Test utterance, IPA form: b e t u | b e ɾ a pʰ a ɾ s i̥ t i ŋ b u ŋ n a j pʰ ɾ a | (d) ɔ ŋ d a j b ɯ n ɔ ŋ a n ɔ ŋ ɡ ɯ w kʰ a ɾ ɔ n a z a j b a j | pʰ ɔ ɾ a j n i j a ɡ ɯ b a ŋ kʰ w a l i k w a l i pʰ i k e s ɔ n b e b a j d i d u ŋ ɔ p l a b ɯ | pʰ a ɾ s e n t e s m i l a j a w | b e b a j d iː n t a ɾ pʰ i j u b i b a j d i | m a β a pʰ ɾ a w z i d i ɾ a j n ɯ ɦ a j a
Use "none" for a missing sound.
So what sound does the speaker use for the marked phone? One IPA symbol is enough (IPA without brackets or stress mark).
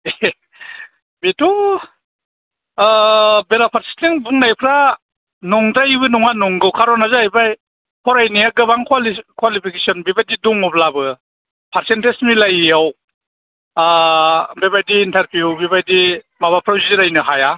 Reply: n